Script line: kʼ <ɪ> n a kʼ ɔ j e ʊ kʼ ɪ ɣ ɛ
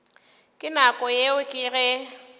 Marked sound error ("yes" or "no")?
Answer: no